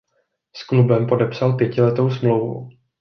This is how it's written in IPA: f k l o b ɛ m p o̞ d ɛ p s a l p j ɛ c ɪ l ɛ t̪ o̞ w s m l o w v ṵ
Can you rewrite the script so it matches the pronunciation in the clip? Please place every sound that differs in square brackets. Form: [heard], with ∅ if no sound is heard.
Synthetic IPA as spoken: [s] k l [u] b ɛ m p o̞ d ɛ p s a l p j ɛ c ɪ l ɛ t̪ o̞ w s m l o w v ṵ